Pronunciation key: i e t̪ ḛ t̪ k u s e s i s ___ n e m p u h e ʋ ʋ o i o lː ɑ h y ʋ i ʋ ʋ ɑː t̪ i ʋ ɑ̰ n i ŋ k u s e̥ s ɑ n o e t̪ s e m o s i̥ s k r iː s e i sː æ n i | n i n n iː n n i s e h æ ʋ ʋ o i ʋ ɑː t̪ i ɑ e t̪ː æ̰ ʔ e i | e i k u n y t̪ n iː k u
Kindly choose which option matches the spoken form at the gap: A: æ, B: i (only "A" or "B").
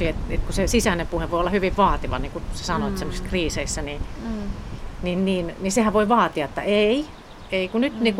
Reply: A